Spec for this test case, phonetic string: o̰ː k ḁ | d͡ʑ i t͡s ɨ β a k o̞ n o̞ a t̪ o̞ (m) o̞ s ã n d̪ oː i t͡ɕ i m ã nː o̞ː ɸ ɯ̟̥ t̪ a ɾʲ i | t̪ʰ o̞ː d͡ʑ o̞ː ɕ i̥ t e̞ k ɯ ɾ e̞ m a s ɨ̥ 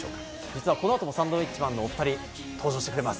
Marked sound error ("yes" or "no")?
no